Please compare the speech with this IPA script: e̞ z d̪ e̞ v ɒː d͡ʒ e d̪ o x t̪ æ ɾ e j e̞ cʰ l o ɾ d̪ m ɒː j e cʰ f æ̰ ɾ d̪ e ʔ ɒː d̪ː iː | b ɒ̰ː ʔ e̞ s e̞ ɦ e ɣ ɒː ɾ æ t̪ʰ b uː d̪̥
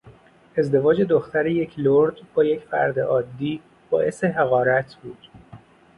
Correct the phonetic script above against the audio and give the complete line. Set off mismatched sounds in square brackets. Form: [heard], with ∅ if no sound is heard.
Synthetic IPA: e̞ z d̪ e̞ v ɒː d͡ʒ e d̪ o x t̪ æ ɾ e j e̞ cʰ l o ɾ d̪ [b] ɒː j e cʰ f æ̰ ɾ d̪ e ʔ ɒː d̪ː iː | b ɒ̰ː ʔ e̞ s e̞ ɦ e ɣ ɒː ɾ æ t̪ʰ b uː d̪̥